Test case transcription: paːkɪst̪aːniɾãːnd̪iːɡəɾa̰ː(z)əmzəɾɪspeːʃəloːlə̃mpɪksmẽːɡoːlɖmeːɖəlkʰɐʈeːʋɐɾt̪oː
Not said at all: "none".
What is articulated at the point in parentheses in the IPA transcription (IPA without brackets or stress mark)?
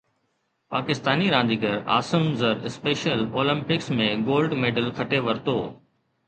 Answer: s